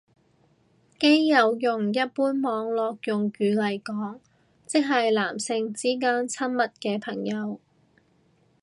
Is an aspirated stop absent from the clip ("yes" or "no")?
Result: no